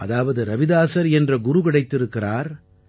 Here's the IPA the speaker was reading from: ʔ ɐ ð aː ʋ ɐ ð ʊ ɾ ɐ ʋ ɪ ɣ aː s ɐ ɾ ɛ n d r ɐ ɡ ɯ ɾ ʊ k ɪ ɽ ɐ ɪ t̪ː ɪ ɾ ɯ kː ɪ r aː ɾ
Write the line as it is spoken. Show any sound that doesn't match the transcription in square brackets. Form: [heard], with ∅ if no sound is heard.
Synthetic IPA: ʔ ɐ ð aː ʋ ɐ ð [ɯ] ɾ ɐ ʋ ɪ [ð] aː s ɐ ɾ ɛ n d r ɐ ɡ [ʊ] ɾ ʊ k ɪ ɽ ɐ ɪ t̪ː ɪ ɾ ɯ kː ɪ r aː ɾ